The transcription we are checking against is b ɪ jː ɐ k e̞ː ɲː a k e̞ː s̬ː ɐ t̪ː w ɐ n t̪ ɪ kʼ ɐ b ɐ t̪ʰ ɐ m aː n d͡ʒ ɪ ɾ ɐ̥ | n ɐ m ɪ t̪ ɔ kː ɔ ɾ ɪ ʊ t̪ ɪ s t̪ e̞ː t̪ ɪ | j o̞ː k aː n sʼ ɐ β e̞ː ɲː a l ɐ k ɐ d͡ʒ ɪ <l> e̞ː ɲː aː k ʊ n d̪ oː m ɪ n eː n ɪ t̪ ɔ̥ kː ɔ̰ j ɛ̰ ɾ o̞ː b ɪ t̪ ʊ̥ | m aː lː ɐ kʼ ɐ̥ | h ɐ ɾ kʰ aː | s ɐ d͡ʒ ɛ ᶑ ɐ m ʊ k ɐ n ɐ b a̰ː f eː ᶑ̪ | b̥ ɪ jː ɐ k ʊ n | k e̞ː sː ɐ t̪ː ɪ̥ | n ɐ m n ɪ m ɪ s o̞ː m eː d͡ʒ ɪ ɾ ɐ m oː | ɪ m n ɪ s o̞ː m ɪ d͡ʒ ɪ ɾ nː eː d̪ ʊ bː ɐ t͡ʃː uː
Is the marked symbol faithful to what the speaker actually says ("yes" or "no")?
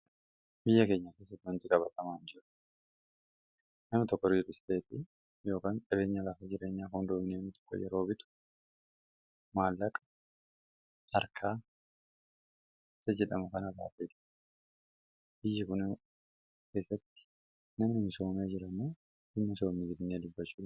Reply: no